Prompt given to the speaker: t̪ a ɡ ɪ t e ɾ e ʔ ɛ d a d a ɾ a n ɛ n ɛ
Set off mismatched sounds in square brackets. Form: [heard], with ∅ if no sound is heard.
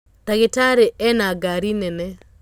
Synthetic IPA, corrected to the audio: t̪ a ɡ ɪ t [a] ɾ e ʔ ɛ [n] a [ɡ] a ɾ [i] n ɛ n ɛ